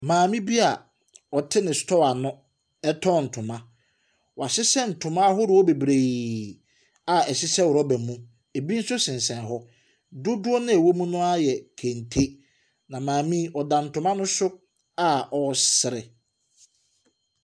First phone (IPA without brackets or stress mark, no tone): m